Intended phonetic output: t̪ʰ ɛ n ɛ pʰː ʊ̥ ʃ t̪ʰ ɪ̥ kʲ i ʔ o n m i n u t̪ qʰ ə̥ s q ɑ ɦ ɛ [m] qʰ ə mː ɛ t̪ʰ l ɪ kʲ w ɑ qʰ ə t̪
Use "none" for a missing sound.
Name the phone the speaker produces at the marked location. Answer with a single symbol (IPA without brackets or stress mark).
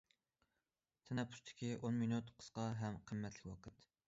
m